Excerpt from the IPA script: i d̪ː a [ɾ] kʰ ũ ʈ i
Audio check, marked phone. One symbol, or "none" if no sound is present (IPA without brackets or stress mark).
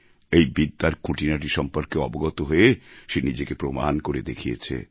ɾ